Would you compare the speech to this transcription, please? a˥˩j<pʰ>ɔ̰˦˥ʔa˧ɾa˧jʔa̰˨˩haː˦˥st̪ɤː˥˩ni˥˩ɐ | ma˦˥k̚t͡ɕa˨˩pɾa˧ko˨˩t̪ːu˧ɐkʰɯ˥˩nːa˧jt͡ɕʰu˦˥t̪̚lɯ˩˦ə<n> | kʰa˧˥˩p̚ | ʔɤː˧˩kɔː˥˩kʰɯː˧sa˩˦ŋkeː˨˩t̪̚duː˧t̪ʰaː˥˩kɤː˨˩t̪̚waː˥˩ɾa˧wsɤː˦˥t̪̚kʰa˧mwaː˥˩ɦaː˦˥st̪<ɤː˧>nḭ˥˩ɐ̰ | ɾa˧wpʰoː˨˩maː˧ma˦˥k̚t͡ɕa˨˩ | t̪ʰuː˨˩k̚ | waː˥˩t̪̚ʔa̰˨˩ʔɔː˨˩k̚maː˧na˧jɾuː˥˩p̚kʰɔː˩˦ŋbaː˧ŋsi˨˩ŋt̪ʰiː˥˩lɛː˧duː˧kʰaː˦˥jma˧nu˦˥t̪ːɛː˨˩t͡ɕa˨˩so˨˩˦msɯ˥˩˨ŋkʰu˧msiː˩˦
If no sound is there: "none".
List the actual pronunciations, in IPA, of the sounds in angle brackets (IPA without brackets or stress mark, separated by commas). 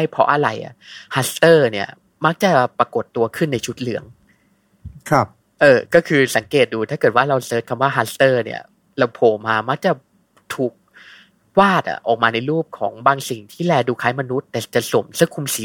pʰ, ŋ, ɤː˥˩